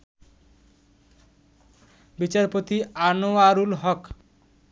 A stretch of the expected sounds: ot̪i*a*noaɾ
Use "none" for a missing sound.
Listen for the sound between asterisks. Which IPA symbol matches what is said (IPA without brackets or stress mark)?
a